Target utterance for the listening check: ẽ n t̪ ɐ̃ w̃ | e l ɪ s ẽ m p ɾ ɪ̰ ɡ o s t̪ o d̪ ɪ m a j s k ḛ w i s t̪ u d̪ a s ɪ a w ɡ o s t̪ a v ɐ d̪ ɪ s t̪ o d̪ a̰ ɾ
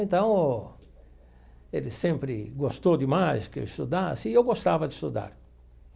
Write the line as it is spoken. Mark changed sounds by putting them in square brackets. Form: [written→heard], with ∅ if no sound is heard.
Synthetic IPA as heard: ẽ n t̪ ɐ̃ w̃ | e l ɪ s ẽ m p ɾ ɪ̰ ɡ o s t̪ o d̪ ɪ m a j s k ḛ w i s t̪ u d̪ a s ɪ [a→e] w ɡ o s t̪ a v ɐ d̪ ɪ s t̪ [o→u] d̪ a̰ ɾ